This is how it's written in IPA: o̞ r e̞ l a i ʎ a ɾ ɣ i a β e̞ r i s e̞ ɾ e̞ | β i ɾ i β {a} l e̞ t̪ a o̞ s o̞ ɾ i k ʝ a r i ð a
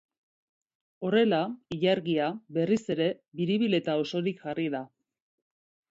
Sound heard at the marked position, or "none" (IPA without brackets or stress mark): i